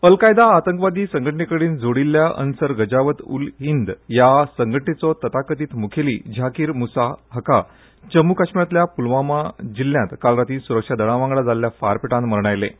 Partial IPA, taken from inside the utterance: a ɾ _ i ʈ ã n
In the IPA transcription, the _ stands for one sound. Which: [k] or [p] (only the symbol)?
p